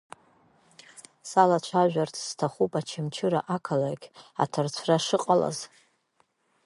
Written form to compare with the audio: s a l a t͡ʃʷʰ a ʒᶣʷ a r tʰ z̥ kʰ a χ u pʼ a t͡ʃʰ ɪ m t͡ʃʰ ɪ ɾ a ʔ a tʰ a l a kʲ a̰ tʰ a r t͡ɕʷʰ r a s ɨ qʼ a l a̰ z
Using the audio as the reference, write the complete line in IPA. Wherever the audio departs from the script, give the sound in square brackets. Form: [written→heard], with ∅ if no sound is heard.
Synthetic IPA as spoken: s a l a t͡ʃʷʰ a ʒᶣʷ a r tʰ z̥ [kʰ→tʰ] a χ u pʼ a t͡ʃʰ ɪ m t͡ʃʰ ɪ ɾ a ʔ a [tʰ→kʰ] a l a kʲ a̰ tʰ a r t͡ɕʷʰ r a [s→ʂ] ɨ qʼ a l a̰ z